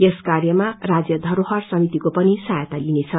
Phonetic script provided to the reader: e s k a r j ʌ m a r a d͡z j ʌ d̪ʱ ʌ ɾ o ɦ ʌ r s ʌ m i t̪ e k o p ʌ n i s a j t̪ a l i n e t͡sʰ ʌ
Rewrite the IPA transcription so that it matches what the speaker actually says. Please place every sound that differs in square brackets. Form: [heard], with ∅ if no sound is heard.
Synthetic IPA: e s k a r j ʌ m a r a d͡z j ʌ d̪ʱ ʌ ɾ o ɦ ʌ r s ʌ m i t̪ [i] k o p ʌ n i s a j t̪ a l i n e t͡sʰ ʌ